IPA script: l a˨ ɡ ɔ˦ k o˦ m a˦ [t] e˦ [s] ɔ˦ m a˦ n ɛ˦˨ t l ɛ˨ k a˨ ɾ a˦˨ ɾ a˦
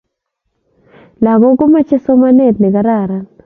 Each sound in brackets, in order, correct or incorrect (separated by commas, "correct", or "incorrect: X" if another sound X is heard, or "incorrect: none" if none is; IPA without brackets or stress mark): incorrect: t͡ʃ, correct